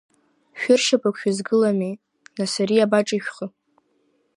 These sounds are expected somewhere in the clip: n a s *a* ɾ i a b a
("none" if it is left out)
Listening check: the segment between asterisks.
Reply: a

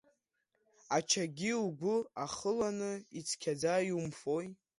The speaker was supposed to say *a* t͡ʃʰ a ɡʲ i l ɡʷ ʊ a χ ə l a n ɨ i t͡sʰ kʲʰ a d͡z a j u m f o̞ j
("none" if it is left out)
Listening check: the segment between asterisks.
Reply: a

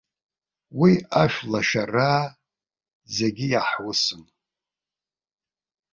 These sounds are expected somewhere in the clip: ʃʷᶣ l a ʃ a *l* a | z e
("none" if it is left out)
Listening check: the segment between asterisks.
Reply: r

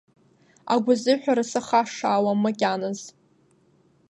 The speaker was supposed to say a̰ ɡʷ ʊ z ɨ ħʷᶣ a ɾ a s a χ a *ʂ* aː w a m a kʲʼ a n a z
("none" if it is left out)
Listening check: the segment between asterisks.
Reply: ʂ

